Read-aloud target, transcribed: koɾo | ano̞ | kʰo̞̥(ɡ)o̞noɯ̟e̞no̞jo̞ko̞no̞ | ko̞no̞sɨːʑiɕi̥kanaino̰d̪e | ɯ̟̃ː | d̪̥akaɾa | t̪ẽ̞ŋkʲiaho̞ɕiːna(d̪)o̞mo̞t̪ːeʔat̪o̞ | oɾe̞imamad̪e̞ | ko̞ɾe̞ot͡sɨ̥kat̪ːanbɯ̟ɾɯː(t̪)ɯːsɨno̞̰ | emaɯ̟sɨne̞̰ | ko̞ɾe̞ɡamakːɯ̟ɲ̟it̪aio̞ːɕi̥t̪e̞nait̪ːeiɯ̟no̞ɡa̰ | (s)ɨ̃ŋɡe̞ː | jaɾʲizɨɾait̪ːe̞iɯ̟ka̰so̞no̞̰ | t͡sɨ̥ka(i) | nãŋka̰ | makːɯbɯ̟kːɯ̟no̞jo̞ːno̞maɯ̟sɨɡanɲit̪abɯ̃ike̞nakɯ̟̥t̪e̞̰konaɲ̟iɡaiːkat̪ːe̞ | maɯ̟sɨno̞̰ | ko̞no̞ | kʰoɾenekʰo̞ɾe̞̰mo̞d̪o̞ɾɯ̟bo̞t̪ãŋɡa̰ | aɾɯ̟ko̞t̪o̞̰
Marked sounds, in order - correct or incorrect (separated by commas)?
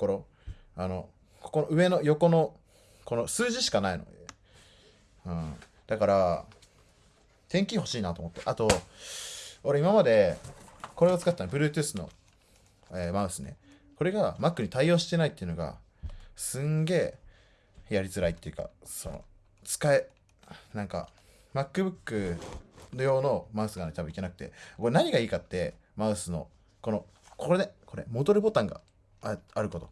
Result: incorrect, incorrect, correct, correct, incorrect